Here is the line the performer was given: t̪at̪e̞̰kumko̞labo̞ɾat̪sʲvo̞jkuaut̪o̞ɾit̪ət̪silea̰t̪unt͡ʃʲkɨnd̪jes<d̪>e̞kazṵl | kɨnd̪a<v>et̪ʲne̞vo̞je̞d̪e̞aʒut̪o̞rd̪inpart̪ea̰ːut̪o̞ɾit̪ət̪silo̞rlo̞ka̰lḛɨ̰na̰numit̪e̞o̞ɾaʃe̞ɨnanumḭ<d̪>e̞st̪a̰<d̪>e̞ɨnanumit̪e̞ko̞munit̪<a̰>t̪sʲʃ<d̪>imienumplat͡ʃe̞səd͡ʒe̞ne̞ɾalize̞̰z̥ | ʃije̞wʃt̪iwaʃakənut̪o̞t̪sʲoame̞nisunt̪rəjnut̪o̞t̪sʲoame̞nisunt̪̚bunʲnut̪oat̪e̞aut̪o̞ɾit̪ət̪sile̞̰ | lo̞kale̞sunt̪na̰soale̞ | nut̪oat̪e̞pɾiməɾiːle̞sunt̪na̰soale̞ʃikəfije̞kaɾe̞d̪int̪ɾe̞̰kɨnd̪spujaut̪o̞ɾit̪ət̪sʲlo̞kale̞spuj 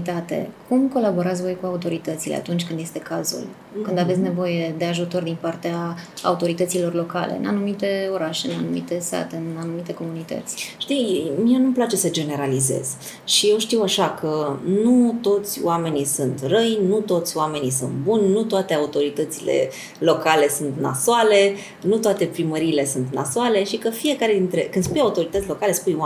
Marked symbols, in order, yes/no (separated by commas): no, yes, no, no, no, no